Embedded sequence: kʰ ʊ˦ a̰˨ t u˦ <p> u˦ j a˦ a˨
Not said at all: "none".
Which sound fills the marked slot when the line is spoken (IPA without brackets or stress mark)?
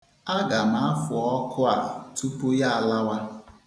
p